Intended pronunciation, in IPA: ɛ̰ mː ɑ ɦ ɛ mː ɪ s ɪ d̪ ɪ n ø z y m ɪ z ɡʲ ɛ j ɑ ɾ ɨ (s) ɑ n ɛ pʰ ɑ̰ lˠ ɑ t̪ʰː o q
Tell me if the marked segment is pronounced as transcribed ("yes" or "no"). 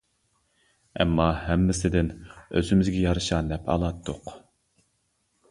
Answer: no